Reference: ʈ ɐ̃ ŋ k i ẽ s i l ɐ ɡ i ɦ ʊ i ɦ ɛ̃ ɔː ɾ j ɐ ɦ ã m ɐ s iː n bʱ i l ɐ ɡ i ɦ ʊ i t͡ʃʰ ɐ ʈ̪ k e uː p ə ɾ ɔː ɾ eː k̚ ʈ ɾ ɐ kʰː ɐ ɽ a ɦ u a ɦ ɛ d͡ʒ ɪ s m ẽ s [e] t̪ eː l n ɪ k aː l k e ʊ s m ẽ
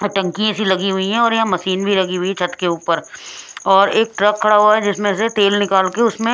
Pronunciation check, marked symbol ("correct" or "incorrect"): correct